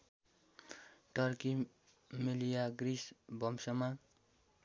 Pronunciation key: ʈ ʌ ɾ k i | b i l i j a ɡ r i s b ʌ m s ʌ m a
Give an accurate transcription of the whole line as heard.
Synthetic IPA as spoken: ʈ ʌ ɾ k i | m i l i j a ɡ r i s b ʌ m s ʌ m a